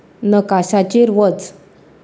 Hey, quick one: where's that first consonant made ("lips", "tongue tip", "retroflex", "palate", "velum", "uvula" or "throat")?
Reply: tongue tip